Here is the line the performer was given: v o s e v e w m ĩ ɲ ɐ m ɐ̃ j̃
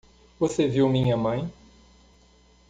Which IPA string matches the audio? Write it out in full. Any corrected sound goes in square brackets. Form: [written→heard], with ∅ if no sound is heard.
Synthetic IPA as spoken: v o s e v [e→i] w m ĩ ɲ ɐ m ɐ̃ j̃